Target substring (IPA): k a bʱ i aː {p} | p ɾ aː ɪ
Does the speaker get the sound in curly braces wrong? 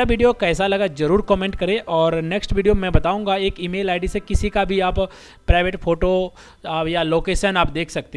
no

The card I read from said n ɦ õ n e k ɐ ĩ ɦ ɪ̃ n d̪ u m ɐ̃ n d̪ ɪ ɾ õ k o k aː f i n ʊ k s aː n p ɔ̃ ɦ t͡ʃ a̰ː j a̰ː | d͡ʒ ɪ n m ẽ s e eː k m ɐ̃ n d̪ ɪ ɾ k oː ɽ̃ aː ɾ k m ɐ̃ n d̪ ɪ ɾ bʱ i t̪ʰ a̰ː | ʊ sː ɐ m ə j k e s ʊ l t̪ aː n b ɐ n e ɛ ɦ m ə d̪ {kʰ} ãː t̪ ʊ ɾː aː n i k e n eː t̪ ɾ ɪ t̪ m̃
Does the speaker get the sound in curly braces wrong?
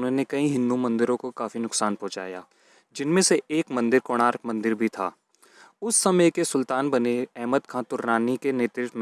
no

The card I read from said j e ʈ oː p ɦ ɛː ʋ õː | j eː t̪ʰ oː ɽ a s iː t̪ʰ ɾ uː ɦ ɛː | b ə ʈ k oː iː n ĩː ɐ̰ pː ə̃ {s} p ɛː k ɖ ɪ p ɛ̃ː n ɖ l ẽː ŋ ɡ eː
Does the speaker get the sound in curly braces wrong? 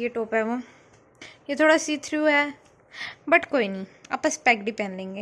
no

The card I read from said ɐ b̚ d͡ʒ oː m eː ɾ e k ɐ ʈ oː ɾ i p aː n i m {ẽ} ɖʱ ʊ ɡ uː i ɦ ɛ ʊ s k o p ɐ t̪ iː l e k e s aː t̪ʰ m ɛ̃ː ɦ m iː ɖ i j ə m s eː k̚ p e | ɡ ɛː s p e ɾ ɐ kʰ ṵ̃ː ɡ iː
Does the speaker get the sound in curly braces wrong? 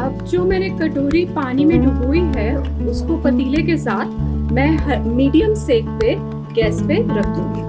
no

